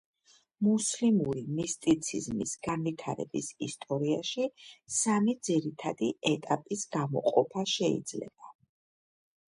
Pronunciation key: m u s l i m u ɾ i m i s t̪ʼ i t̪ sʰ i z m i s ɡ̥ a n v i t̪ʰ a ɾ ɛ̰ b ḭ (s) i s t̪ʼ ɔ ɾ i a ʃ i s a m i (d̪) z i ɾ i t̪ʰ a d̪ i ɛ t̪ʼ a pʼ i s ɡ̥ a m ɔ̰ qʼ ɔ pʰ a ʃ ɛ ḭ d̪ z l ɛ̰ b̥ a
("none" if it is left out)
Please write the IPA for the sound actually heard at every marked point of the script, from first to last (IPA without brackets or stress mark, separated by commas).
s, d̪